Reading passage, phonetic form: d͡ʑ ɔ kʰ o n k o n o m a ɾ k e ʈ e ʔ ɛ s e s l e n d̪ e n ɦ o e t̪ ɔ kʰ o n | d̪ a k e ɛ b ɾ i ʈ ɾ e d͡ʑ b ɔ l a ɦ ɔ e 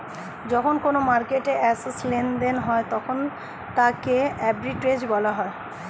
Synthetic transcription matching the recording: d͡ʑ ɔ kʰ o n k o n o m a ɾ k e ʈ e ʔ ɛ s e s l e n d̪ e n ɦ ɔ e t̪ ɔ kʰ o n | t̪ a k e ɛ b ɾ i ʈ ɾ e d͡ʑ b ɔ l a ɦ ɔ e